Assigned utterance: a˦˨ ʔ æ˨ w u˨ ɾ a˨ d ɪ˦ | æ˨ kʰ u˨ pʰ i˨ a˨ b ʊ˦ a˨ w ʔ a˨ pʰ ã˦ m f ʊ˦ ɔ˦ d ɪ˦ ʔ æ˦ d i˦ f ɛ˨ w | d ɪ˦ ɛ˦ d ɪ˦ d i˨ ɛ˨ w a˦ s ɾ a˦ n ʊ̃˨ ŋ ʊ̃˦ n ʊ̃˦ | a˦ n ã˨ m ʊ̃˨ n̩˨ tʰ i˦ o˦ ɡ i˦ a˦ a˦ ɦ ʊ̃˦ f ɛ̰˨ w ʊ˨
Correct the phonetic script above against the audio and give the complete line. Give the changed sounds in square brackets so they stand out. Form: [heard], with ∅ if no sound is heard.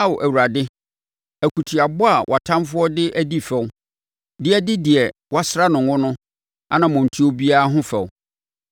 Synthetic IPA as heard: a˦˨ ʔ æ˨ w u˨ ɾ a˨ d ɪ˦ | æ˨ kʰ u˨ [tʰ] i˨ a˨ b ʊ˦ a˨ w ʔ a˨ [tʰ] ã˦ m f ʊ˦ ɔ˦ d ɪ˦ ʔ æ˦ d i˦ f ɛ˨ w | d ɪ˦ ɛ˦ d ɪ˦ d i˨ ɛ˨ w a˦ s ɾ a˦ n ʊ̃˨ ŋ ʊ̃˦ n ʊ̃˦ | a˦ n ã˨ m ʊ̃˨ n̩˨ tʰ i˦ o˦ [b] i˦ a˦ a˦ ɦ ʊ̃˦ f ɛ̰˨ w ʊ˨